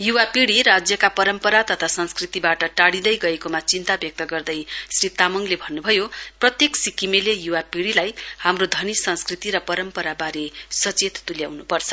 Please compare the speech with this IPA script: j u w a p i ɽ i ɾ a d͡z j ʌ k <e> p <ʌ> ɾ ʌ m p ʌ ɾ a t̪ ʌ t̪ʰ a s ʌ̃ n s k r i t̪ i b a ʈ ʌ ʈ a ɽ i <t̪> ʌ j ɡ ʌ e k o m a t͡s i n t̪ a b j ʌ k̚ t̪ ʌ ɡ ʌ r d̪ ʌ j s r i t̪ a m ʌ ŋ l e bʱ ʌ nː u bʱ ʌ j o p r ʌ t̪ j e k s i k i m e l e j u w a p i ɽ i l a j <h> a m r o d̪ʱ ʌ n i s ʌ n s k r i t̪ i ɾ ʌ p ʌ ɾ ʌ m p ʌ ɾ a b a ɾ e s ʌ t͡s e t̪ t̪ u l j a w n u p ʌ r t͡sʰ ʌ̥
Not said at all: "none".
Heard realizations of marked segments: a, ʌ, d̪, h

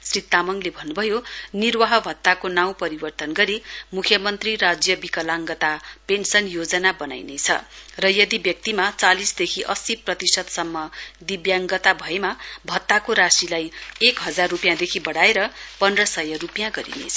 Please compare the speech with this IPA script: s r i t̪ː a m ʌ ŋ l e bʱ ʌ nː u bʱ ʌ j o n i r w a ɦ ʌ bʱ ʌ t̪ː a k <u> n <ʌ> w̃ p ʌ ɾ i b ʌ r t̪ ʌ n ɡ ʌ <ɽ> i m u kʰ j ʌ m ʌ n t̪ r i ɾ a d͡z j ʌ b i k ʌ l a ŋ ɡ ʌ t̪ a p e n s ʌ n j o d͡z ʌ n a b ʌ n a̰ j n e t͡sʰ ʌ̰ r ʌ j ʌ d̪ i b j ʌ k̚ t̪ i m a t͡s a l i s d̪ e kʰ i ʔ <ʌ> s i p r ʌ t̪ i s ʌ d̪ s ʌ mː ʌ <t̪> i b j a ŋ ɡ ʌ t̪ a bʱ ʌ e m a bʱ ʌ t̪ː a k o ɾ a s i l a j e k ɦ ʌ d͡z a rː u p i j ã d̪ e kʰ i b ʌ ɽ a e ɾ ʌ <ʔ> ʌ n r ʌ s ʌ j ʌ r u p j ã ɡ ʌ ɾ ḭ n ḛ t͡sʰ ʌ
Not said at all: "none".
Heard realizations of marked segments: o, a, ɾ, ʌ, d̪, p

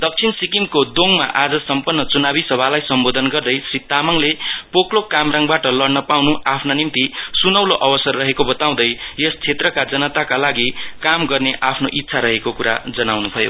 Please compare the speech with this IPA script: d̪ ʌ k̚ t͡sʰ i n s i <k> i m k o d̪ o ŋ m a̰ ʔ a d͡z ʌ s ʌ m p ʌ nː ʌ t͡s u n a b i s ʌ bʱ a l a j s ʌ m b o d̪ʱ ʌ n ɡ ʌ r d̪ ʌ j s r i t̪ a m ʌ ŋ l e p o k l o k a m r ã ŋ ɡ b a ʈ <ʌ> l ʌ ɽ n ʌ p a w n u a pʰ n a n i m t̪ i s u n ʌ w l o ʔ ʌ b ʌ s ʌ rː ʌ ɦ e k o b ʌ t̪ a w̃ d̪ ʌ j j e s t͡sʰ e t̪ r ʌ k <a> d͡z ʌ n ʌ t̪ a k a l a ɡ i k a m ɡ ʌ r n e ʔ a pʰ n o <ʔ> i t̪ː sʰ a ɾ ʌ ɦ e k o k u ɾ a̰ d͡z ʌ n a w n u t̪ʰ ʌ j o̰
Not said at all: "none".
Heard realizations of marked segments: k, ʌ, a, ʔ

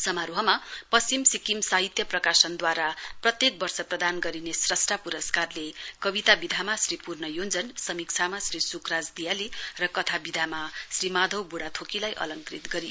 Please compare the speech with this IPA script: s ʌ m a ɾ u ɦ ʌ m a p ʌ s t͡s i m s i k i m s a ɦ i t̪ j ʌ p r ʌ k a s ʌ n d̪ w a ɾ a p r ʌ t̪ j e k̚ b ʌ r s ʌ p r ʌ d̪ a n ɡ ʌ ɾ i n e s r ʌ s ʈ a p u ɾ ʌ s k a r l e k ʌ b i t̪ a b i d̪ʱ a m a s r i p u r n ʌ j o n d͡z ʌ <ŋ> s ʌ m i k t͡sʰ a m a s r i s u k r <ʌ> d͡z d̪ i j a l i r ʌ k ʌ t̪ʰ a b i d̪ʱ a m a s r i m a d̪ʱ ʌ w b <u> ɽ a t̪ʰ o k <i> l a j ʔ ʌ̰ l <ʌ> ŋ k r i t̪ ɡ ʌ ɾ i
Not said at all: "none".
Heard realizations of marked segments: n, a, u, i, ʌ

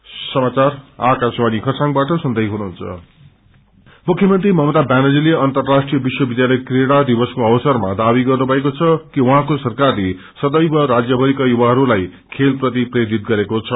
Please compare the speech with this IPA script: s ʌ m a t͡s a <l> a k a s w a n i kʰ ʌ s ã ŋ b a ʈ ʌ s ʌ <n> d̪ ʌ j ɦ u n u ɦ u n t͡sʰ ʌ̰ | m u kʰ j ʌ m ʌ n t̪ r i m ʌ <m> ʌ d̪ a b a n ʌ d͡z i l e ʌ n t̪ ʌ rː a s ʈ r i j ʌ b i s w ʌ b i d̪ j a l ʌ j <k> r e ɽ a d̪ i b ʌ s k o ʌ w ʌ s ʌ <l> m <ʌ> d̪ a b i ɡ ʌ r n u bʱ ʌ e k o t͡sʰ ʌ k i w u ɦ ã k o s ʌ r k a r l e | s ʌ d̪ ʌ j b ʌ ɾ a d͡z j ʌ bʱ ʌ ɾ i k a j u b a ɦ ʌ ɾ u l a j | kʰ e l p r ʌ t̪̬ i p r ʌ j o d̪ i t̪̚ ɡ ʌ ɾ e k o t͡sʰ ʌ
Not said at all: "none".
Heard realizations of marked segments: r, n, m, k, r, a

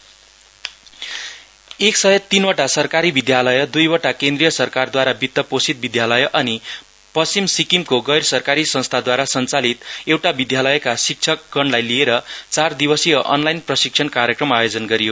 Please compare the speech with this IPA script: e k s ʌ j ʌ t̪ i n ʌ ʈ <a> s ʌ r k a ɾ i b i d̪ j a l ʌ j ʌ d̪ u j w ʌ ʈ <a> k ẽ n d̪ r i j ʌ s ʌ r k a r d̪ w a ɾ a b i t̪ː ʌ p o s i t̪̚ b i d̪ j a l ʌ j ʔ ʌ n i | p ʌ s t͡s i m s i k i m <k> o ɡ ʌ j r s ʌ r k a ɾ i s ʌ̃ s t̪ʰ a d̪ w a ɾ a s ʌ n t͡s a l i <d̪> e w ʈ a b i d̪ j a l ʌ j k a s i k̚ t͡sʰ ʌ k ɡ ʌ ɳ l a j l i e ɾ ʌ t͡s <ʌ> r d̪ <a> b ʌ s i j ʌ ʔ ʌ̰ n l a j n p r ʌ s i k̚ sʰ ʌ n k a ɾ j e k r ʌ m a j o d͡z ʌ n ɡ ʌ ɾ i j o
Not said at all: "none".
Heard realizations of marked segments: a, a, k, t̪, a, i

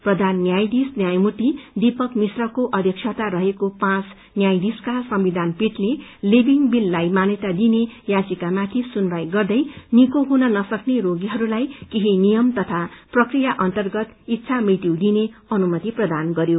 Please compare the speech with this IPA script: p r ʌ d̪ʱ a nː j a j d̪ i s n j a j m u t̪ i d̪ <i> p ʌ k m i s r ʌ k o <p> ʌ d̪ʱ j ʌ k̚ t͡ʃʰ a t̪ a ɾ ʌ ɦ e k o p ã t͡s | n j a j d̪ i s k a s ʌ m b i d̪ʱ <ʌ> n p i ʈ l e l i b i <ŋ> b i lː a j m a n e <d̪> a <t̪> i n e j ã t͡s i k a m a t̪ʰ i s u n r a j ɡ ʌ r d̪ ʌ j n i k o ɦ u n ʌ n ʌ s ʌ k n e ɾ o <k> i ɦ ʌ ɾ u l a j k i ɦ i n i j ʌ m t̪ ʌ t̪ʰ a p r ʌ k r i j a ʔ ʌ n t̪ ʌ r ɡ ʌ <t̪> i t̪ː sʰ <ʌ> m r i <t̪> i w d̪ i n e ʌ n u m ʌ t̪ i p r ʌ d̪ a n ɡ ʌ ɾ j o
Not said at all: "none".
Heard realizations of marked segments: i, ʔ, a, ŋ, t̪, d̪, ɡ, t̪, a, t̪

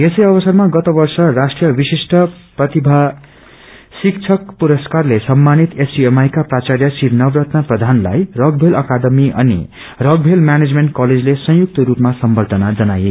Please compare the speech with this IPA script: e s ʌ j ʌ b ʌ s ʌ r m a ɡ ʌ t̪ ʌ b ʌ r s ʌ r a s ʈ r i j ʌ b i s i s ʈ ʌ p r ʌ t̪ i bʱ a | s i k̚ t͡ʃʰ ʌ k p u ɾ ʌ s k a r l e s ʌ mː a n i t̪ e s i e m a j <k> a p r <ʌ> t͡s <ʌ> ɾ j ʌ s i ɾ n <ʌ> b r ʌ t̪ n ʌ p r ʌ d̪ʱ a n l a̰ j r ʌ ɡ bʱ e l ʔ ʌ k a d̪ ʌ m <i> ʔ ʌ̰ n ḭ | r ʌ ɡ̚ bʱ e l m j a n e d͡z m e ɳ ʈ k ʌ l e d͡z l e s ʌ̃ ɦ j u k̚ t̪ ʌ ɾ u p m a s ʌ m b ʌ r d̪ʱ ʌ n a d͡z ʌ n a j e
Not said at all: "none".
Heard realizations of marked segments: k, a, a, ʌ, i

